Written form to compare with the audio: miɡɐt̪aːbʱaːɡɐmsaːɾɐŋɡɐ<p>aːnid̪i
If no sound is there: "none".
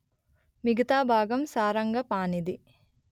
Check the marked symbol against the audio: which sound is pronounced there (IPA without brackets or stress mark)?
p